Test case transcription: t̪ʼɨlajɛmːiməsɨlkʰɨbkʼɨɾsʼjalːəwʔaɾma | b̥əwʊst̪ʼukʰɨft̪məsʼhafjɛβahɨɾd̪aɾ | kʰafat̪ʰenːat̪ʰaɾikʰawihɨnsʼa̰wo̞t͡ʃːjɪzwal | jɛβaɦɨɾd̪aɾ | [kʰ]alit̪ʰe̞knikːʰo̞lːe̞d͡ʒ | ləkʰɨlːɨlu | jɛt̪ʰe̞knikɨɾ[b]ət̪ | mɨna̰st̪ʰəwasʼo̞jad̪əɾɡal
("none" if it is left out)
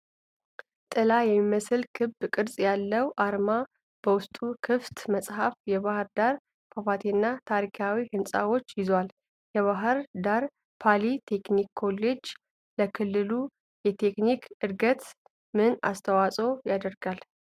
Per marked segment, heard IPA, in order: pʰ, ɡ

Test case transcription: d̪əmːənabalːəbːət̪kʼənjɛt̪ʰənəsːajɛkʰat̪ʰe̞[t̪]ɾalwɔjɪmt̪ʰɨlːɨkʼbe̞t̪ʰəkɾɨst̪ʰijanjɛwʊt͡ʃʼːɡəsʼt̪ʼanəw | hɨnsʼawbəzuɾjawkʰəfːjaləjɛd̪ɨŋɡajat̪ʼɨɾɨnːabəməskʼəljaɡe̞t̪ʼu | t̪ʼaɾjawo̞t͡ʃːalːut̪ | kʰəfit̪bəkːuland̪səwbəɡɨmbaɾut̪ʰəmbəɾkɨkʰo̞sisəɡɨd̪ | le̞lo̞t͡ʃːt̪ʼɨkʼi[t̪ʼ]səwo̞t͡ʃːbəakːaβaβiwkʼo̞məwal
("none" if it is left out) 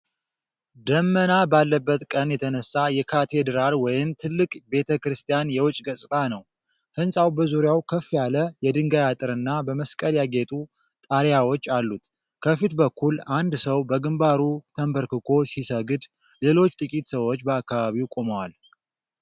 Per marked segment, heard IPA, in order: d̪, t̪

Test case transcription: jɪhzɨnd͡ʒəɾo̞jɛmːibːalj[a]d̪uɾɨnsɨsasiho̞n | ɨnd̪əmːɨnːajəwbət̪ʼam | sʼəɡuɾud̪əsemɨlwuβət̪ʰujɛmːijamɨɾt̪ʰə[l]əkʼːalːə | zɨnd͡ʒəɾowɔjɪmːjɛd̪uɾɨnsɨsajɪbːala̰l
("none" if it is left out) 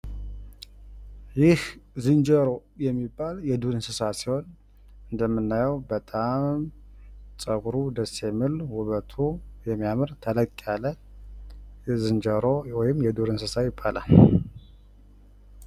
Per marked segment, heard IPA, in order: ɛ, l

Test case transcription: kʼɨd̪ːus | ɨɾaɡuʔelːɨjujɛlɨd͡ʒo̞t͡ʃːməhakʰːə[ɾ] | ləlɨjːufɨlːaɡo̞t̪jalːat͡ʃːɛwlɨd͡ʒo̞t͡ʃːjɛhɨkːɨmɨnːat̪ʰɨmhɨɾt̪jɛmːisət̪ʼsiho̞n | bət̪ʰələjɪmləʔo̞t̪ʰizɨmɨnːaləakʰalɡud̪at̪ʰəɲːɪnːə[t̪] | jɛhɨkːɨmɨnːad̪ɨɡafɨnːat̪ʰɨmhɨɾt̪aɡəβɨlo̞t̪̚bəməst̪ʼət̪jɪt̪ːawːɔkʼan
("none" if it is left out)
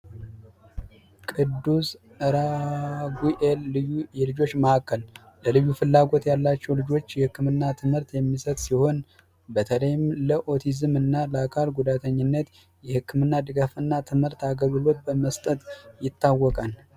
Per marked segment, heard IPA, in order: l, t̪

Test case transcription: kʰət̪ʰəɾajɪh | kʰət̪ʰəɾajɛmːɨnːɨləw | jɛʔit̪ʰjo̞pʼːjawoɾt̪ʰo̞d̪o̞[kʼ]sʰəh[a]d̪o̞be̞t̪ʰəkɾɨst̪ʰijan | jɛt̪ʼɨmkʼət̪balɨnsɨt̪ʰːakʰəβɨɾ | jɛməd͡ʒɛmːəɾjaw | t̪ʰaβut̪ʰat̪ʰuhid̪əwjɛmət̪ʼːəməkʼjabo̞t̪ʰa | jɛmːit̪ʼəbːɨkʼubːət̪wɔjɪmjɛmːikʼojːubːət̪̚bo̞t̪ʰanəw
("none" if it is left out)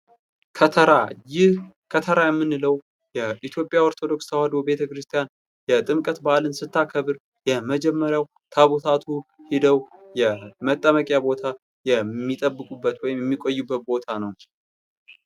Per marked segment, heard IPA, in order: k, a

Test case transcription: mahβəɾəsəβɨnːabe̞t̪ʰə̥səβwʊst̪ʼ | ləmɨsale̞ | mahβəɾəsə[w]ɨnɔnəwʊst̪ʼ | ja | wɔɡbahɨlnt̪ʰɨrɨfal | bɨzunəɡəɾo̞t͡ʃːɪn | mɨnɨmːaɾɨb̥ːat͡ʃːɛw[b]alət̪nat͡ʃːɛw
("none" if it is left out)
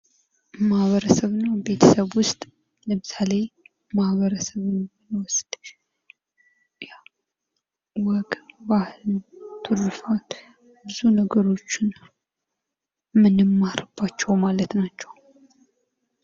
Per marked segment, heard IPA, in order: β, m

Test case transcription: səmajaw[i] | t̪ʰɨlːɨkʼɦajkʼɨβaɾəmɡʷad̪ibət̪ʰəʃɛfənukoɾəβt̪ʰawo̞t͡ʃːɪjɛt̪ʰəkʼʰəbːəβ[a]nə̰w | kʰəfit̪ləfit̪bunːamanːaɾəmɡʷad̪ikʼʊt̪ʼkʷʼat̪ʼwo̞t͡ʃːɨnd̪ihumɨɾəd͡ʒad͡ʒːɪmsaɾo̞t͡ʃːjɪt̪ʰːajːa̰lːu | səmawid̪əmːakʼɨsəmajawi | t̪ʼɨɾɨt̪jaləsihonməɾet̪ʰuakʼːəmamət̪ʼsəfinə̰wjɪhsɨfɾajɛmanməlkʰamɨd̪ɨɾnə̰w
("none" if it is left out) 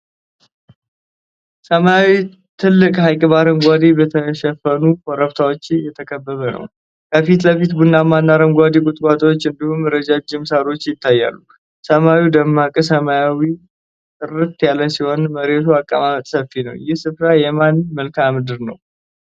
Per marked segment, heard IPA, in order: i, ə

